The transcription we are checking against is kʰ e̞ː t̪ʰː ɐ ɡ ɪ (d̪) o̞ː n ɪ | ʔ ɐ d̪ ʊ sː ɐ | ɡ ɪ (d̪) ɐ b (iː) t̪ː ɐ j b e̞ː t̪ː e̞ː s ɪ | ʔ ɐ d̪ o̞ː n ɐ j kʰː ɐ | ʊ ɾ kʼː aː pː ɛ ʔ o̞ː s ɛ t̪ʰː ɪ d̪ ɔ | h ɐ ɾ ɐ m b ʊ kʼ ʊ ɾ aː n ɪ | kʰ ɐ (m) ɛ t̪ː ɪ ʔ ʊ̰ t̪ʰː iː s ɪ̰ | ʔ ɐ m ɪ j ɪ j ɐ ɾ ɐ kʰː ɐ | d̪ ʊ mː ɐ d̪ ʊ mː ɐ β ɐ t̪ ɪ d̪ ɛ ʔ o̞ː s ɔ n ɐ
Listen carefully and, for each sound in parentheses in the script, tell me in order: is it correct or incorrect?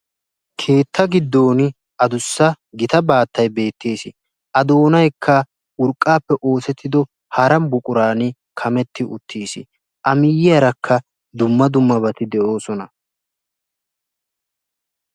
incorrect: d̪ː, incorrect: t̪, incorrect: aː, correct

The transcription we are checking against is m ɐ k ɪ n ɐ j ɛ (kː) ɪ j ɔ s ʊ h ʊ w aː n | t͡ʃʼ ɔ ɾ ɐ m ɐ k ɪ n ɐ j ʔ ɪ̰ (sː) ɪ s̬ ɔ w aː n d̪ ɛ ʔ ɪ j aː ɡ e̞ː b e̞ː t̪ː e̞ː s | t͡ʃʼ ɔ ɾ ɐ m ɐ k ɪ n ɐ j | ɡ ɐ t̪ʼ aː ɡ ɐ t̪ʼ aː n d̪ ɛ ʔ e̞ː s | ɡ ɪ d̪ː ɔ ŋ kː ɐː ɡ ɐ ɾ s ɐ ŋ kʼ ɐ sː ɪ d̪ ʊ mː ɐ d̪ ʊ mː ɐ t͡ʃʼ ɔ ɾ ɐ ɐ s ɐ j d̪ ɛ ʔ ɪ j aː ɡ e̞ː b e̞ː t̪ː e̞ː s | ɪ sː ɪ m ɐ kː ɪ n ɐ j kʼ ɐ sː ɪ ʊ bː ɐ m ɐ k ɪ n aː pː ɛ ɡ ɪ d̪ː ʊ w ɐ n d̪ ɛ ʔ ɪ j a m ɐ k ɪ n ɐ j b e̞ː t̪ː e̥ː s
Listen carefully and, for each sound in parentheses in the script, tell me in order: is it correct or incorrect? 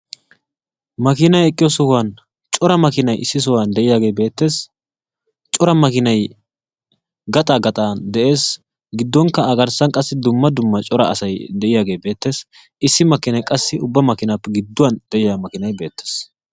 incorrect: kʼː, correct

